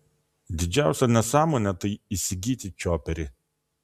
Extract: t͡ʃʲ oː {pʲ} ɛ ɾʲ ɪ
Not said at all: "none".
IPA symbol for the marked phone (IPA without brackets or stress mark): pʲ